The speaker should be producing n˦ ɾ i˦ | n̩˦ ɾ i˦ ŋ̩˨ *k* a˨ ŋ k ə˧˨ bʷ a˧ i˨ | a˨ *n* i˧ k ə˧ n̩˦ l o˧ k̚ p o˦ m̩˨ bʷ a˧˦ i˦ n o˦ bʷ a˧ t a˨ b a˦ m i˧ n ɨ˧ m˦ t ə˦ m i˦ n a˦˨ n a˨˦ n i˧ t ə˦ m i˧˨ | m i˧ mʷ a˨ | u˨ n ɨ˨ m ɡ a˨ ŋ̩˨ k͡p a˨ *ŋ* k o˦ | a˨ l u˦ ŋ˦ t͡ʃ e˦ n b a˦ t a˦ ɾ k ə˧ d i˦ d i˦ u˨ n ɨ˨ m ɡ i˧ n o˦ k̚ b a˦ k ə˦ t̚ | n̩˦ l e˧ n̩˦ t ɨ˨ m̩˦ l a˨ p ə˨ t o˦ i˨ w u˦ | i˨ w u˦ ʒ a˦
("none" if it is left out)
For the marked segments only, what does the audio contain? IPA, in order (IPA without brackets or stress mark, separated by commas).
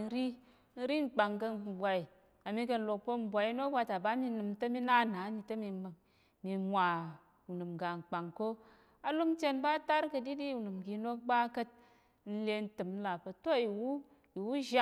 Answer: k͡p, m, ŋ